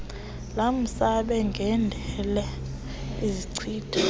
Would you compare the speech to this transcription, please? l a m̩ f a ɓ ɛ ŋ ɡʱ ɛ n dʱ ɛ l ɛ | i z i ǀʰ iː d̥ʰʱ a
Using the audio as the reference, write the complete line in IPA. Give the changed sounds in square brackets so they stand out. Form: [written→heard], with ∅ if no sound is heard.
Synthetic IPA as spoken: l a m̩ [f→s] a ɓ ɛ ŋ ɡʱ ɛ n dʱ ɛ l ɛ | i z i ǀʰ iː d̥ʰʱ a

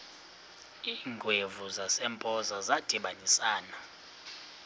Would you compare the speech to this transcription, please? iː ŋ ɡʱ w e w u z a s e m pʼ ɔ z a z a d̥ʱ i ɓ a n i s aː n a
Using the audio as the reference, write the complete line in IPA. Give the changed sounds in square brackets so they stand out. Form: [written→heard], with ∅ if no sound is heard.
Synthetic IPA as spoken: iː ŋ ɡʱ w e [w→v] u z a s [e→ɛ] m pʼ ɔ z a z a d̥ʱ i ɓ a n i s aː n a

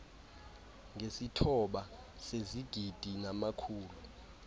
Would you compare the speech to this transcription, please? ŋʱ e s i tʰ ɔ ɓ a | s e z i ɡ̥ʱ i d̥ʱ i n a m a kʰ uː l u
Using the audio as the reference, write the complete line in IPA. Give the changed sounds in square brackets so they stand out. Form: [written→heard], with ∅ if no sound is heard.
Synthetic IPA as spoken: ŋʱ e s i tʰ ɔ ɓ a | s e z i ɡ̥ʱ i d̥ʱ i n a m a kʰ uː l u

